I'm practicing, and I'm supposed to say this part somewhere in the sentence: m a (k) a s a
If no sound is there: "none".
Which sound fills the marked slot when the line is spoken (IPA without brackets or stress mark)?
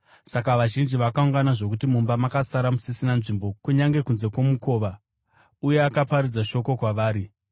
k